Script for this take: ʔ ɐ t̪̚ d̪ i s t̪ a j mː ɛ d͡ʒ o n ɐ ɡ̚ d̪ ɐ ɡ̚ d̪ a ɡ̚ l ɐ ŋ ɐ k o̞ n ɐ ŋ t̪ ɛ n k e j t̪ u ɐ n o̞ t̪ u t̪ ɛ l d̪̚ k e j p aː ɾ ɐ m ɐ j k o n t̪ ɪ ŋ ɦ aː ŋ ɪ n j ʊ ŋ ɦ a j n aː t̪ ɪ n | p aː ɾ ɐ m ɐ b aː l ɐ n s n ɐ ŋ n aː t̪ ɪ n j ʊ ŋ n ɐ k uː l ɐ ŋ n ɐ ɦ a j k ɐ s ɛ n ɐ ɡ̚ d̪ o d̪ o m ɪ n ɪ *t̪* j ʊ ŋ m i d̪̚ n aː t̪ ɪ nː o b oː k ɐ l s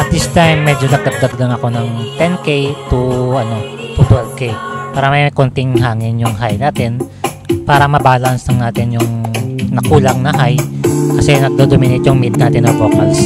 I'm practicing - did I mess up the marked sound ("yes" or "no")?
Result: no